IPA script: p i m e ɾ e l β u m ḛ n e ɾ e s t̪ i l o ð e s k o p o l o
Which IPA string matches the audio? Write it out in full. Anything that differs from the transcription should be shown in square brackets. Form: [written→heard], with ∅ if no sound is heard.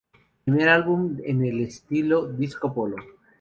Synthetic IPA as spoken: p i m e ɾ [e→a] l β u m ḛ n e [ɾ→l] e s t̪ i l o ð [e→i] s k o p o l o